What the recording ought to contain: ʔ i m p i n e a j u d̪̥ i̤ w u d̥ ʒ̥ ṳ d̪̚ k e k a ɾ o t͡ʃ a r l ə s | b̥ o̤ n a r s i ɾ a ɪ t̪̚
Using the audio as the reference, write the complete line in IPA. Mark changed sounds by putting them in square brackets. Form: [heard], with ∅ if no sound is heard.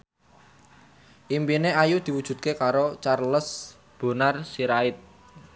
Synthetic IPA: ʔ i m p i n e a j u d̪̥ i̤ w u d̥ ʒ̥ ṳ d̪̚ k e k a ɾ o t͡ʃ a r l ə s | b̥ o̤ n a r s i ɾ a ɪ t̪̚